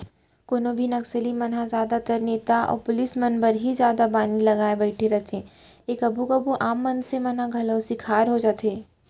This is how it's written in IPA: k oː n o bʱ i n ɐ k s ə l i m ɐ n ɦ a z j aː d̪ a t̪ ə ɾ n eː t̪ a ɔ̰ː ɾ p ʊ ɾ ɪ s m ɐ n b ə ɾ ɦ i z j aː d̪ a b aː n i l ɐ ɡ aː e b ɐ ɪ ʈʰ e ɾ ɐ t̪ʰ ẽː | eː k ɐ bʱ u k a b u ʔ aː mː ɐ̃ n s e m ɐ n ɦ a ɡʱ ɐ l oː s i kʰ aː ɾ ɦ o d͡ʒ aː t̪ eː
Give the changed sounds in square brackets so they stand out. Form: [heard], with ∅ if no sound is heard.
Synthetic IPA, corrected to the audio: k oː n o bʱ i n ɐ k s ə l i m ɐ n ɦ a z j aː d̪ a t̪ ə ɾ n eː t̪ a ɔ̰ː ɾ p ʊ [l] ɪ s m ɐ n b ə ɾ ɦ i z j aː d̪ a b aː n i l ɐ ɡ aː e b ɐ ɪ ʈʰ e ɾ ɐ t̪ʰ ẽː | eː k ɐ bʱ u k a b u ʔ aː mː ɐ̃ n s e m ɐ n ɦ a ɡʱ ɐ l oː s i kʰ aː ɾ ɦ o d͡ʒ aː t̪ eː